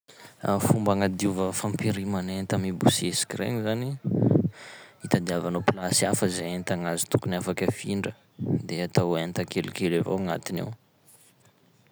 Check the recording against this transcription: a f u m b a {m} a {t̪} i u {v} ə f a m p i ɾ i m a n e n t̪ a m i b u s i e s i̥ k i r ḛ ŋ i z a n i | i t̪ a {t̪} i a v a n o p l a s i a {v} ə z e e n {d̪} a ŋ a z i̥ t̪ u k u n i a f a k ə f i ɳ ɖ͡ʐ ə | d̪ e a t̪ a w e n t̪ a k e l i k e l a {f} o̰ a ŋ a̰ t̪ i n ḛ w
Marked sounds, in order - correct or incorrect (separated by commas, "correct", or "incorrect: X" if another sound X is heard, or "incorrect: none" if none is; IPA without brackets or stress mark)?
incorrect: ŋ, incorrect: d̪, correct, incorrect: d̪, incorrect: f, incorrect: t̪, incorrect: v